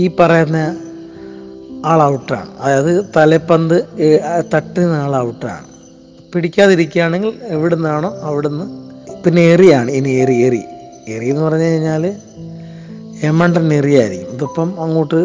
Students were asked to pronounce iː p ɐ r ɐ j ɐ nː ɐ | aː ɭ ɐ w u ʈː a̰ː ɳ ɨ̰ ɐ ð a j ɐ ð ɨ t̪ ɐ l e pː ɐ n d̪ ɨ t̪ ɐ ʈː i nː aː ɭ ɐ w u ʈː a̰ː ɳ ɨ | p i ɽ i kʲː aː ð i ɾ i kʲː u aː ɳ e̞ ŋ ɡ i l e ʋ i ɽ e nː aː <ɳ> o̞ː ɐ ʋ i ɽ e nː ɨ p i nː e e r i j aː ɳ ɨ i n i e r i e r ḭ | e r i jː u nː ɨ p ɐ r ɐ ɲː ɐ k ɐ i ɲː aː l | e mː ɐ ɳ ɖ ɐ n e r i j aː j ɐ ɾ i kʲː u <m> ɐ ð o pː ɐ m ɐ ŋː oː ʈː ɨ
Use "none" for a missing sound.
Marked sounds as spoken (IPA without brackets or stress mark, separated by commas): ɳ, m